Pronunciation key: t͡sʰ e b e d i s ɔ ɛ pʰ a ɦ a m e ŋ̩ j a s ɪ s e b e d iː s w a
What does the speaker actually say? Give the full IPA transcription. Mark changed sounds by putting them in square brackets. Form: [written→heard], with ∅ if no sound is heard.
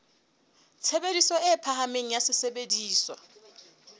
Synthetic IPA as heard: t͡sʰ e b e d i s ɔ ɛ pʰ a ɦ a m e ŋ̩ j a s ɪ s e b e d iː s w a